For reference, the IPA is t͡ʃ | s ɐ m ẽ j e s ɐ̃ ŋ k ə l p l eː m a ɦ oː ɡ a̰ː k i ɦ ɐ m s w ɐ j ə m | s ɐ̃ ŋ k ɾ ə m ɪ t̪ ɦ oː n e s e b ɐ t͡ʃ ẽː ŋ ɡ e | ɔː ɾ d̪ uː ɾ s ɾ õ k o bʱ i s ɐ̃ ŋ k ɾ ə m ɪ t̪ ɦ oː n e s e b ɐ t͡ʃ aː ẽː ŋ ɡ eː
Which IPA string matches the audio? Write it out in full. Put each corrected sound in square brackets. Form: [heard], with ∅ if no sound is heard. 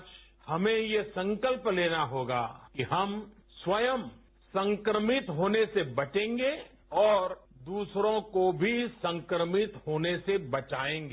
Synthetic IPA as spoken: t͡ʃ | [h] ɐ m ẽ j e s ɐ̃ ŋ k ə l p l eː [n] a ɦ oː ɡ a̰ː k i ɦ ɐ m s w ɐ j ə m | s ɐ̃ ŋ k ɾ ə m ɪ t̪ ɦ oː n e s e b ɐ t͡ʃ ẽː ŋ ɡ e | ɔː ɾ d̪ uː [∅] s ɾ õ k o bʱ i s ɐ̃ ŋ k ɾ ə m ɪ t̪ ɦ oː n e s e b ɐ t͡ʃ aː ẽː ŋ ɡ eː